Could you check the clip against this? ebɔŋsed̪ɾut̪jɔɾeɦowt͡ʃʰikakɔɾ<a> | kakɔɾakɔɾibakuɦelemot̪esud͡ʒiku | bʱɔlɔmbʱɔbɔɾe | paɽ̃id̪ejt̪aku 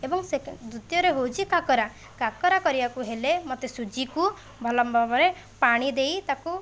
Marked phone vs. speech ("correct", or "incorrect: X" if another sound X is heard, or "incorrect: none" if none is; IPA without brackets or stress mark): correct